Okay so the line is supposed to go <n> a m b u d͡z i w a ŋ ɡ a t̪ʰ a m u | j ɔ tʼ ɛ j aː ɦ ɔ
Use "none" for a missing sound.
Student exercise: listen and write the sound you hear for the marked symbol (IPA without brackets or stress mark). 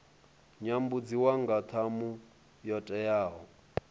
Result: ɲ